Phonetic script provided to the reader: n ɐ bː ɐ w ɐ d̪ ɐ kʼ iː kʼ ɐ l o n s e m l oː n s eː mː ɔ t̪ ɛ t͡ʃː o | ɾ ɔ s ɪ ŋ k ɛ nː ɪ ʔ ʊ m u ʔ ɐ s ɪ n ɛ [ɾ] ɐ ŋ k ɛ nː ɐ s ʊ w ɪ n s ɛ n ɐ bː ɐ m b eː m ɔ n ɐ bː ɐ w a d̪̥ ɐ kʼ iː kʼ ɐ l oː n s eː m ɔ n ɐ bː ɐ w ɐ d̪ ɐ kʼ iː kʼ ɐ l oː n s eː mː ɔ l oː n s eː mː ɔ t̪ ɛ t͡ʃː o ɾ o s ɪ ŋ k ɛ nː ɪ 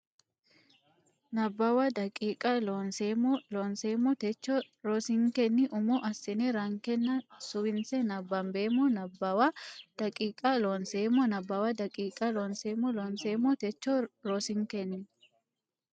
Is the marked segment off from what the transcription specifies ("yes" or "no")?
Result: no